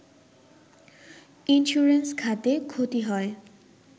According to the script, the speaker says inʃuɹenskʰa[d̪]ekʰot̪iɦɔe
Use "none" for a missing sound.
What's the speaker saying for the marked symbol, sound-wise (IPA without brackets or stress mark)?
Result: t̪